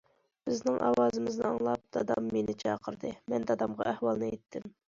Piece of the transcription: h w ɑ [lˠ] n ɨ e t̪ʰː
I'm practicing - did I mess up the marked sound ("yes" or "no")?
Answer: no